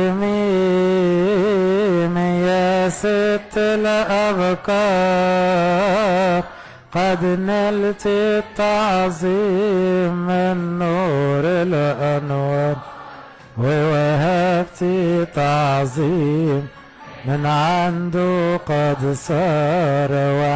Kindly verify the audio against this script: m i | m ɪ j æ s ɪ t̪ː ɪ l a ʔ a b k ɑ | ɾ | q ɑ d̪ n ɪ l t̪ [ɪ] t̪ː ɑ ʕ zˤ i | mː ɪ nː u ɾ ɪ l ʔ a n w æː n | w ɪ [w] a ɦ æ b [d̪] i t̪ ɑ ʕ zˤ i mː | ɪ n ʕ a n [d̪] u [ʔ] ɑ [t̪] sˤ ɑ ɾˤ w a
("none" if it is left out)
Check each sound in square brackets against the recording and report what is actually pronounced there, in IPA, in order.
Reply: i, w, t̪, d̪, q, d̪

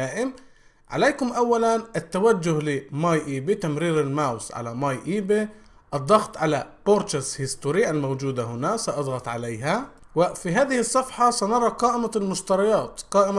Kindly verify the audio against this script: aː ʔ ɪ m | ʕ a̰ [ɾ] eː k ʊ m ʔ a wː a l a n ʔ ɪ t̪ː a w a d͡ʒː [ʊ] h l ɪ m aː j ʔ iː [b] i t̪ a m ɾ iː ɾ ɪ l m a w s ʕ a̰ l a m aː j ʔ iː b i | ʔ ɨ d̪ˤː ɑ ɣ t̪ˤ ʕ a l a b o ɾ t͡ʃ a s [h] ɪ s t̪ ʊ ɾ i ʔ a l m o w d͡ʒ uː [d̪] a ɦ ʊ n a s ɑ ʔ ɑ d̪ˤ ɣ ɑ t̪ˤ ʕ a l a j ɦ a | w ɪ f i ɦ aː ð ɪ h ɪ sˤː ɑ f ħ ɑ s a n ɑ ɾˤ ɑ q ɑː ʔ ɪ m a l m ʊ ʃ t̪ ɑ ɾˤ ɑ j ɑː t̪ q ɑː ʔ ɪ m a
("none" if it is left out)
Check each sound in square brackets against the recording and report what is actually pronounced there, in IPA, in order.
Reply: l, ʊ, b, h, d̪

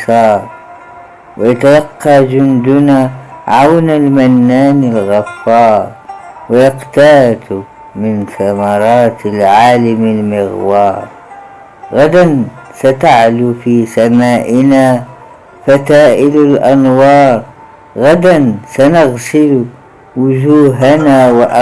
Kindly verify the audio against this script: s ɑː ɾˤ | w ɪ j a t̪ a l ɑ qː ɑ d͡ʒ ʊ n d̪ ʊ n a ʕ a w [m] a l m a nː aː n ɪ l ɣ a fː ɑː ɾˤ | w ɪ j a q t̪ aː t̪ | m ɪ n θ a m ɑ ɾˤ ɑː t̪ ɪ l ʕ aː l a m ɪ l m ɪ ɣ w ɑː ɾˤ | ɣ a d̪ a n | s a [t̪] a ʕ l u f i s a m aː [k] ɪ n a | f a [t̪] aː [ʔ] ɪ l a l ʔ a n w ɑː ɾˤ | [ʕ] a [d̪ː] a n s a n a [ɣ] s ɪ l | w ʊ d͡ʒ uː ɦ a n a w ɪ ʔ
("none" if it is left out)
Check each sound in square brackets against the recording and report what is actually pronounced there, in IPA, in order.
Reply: n, t̪, ʔ, t̪, ʔ, ɣ, d̪, ɣ

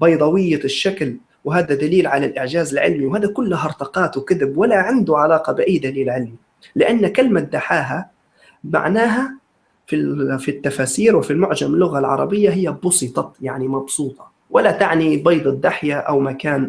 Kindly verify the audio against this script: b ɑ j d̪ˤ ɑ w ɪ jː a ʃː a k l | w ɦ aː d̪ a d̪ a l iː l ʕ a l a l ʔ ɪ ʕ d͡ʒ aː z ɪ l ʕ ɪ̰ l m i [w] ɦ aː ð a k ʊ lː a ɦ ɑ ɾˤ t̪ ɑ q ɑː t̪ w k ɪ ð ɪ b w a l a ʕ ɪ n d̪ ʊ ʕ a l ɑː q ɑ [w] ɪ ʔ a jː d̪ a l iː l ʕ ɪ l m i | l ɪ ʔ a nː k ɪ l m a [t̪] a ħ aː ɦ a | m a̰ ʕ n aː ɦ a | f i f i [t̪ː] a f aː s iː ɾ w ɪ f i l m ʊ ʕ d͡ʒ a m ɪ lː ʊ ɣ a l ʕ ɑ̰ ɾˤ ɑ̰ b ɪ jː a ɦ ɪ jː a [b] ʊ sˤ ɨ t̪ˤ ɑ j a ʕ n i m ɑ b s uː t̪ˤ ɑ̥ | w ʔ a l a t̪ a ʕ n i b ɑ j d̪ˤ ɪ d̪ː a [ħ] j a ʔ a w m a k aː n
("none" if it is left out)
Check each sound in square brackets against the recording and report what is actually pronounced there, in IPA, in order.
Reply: w, b, d̪, t̪ː, b, ħ

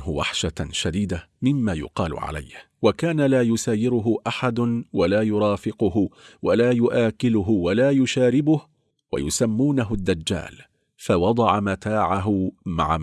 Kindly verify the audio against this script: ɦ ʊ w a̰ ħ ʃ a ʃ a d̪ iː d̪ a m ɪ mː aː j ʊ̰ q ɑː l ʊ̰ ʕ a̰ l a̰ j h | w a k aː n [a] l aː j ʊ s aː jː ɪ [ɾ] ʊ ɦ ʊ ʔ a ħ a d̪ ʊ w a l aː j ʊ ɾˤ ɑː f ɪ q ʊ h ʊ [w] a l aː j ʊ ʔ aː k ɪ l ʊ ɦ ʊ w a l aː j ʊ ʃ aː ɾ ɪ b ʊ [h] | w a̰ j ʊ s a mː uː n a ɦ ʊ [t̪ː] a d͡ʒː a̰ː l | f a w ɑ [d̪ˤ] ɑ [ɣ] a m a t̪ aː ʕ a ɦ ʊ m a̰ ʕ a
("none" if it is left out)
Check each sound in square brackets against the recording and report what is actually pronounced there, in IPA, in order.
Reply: a, ɾ, w, h, d̪ː, d̪ˤ, ʕ

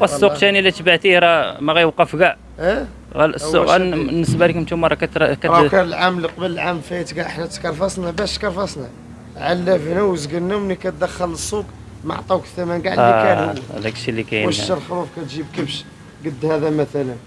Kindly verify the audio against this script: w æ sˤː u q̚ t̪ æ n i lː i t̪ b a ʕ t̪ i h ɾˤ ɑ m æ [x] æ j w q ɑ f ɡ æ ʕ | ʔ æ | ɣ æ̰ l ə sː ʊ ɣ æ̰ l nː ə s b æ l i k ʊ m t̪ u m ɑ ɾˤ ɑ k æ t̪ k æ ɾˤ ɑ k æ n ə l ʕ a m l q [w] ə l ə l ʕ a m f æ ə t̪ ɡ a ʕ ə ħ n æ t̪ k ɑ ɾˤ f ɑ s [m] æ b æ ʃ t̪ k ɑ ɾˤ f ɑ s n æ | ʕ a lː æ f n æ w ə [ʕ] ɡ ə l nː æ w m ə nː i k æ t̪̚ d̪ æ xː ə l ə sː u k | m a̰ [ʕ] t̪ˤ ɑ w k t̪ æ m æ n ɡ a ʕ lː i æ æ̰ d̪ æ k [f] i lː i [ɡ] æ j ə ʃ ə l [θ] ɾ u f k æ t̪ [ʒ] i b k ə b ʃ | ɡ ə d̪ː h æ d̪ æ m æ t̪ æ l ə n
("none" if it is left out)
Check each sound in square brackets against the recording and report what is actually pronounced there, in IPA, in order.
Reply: ɣ, b, n, z, ʕ, ʃ, k, x, ʒ

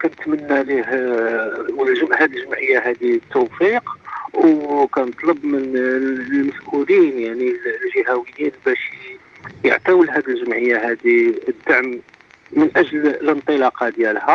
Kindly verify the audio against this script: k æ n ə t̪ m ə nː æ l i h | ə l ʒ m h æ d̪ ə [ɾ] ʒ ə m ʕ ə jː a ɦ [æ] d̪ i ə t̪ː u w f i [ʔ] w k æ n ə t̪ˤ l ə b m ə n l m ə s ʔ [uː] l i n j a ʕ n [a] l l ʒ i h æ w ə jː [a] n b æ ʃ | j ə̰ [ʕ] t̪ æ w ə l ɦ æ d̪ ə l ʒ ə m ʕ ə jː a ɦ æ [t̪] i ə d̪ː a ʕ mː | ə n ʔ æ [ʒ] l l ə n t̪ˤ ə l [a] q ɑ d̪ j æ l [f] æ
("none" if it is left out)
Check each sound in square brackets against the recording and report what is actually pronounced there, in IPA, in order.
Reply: l, æ, q, u, i, i, ʕ, d̪, ʒ, ɑ, h

